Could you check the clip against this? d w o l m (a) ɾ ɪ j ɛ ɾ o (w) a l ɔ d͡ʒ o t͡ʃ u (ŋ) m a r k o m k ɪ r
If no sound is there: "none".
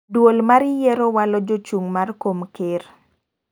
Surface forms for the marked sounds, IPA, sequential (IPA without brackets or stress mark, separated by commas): a, w, ŋ